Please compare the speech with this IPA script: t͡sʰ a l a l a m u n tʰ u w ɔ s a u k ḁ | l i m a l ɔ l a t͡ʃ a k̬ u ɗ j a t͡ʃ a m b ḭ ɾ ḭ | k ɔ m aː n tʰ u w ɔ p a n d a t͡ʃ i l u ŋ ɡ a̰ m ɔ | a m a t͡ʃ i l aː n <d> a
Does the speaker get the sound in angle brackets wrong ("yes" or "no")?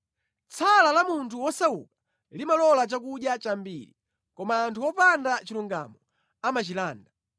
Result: no